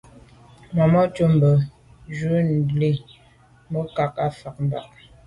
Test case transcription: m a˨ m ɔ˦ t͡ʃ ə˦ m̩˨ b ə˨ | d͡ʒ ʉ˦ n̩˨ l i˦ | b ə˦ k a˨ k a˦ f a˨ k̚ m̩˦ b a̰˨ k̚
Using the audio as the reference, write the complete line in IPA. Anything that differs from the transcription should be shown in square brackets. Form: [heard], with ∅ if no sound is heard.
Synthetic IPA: m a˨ m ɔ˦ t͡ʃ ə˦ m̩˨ b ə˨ | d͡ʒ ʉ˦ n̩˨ l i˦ | [m] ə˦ k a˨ k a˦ f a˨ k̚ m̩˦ b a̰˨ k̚